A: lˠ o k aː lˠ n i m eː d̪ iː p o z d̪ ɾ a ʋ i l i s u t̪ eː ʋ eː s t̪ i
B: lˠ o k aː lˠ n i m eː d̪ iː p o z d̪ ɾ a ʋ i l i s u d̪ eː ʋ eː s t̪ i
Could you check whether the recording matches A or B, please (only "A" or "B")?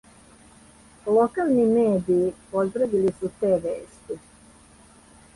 A